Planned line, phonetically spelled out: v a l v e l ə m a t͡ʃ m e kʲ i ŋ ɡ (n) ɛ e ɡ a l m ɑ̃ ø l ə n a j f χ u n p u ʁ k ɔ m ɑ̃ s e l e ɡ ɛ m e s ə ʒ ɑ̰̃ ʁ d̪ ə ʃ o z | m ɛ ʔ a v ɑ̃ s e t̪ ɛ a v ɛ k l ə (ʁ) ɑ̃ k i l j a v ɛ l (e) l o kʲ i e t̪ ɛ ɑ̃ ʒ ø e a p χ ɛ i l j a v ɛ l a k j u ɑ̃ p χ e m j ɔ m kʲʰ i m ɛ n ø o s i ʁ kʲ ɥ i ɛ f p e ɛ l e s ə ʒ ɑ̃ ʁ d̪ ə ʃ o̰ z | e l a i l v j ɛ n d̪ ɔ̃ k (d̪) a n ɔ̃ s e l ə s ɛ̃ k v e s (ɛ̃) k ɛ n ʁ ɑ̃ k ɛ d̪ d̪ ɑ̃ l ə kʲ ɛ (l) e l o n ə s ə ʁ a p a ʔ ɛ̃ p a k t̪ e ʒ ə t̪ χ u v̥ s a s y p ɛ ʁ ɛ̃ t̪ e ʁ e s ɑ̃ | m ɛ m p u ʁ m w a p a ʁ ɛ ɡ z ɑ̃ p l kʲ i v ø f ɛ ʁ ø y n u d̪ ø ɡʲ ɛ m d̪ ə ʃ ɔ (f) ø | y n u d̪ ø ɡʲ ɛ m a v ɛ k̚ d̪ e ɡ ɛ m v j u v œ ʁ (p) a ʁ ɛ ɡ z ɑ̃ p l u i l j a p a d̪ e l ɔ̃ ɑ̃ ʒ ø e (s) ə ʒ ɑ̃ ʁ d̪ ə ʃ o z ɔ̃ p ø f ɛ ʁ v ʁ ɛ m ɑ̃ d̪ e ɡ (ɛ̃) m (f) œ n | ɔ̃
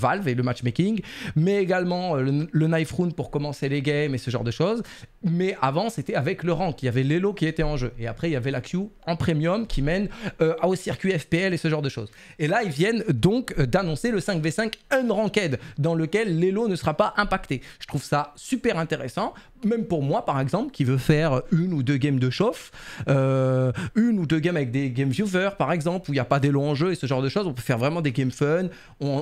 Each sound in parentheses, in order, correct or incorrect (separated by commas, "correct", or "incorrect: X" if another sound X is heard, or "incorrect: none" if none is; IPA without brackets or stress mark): incorrect: m, correct, correct, correct, correct, incorrect: lː, correct, correct, correct, incorrect: ɛ, correct